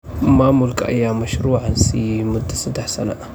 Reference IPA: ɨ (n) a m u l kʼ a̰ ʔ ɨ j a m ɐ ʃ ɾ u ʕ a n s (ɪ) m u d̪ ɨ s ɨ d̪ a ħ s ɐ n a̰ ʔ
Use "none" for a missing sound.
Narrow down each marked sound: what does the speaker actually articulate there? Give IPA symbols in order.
m, i

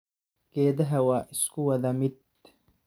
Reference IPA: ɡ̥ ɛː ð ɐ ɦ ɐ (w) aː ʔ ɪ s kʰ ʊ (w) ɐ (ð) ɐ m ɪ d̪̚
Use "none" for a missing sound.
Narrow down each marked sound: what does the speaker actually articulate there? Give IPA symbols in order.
w, w, ð

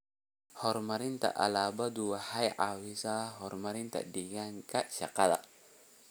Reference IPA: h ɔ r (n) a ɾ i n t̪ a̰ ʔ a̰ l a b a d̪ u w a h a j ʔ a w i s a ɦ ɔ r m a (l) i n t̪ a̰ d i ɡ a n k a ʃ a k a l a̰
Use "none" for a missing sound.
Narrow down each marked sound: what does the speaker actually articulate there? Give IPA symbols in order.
m, ɾ

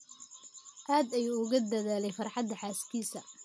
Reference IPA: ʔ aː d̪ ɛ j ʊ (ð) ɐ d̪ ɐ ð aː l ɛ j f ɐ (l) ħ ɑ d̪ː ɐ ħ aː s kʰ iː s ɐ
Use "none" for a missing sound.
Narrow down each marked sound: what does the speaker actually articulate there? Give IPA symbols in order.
ɣ, r

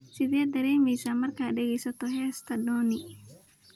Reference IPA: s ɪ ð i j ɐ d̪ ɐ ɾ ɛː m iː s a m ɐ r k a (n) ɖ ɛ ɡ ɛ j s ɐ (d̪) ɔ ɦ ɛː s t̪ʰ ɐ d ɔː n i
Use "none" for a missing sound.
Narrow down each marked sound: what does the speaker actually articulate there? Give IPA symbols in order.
none, t̪

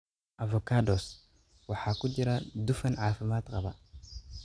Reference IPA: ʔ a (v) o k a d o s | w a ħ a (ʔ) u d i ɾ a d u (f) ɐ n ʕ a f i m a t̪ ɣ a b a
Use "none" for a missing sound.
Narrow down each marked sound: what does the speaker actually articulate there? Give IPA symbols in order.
v, k, f

